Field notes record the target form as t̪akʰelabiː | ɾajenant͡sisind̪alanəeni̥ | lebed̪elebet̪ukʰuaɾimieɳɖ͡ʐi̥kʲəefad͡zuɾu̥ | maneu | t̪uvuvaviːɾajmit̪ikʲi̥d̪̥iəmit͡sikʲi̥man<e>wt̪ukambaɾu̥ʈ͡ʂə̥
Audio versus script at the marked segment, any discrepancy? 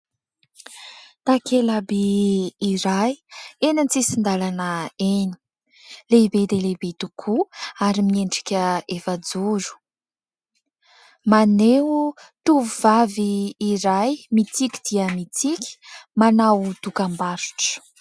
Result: yes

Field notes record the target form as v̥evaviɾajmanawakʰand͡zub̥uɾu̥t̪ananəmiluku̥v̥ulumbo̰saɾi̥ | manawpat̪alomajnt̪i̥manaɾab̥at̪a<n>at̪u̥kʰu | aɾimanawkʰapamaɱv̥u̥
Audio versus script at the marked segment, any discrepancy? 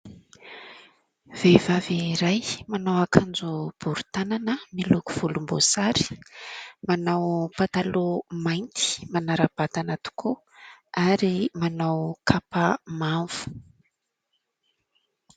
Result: no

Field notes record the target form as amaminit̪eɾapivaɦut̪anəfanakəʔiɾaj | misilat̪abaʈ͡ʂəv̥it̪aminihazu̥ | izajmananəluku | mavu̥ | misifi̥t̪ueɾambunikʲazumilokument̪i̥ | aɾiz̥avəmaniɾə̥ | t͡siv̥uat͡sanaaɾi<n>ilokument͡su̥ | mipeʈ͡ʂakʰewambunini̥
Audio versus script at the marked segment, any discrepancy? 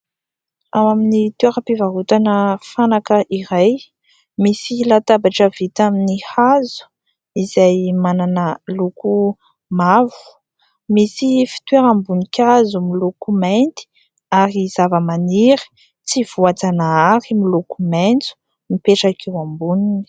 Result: yes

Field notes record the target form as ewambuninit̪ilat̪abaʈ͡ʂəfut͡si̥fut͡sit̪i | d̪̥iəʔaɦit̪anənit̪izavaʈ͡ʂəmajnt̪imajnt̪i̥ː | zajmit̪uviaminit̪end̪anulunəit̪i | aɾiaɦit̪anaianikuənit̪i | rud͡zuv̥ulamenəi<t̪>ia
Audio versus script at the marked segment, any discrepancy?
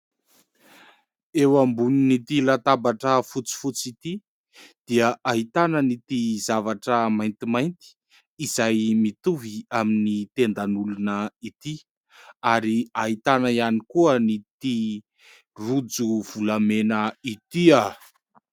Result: no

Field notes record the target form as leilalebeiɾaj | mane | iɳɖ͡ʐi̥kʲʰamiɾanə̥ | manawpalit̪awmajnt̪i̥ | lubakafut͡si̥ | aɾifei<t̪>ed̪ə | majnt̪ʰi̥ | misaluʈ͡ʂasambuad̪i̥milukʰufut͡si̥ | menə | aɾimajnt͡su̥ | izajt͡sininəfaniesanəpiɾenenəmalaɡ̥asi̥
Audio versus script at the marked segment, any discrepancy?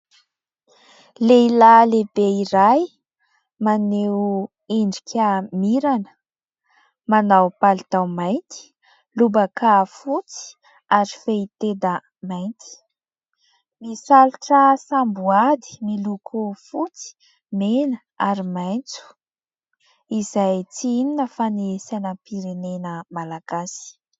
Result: no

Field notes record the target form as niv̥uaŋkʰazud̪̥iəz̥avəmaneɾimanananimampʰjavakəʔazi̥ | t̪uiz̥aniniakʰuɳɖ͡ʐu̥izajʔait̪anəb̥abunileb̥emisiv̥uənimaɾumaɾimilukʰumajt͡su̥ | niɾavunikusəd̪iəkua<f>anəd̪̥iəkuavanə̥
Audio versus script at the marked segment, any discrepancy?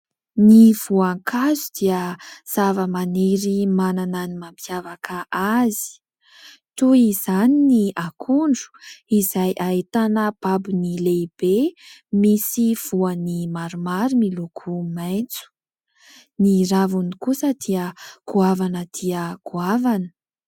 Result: yes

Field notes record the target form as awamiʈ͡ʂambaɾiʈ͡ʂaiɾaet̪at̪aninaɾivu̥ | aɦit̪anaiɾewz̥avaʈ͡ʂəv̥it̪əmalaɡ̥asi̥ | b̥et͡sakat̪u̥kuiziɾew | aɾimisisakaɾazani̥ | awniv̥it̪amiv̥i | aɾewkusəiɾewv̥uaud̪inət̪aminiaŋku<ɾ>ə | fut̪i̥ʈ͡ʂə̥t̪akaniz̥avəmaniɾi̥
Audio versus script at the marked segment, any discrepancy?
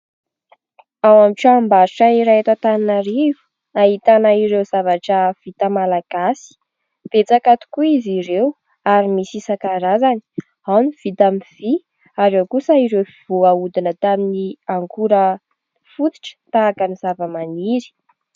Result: no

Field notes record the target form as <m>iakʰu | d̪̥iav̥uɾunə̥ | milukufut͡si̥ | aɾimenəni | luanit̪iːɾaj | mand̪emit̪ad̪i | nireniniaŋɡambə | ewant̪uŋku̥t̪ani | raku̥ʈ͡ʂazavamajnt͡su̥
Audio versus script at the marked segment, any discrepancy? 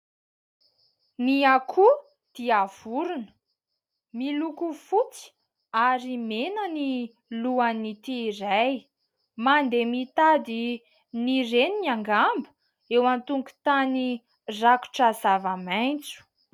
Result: yes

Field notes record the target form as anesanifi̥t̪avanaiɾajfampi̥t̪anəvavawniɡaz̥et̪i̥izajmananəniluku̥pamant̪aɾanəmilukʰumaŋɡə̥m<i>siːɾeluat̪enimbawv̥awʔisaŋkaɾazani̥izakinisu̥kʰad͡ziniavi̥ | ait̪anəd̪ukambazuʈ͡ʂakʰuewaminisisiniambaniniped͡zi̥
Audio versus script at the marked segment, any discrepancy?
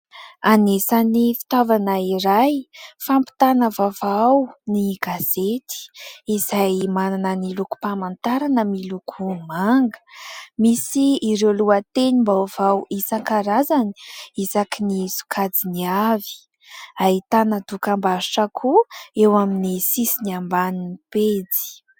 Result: no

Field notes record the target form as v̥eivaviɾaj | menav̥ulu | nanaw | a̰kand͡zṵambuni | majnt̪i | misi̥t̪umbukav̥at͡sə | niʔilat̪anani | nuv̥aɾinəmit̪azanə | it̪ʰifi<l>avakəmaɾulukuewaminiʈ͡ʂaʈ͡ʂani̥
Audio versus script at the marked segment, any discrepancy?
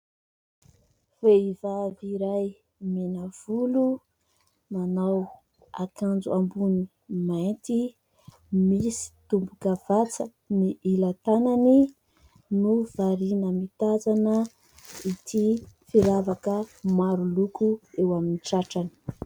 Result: yes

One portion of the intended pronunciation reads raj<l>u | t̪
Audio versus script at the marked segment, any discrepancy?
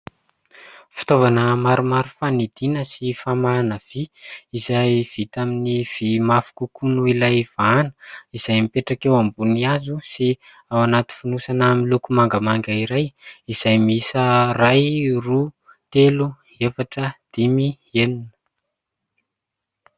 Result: yes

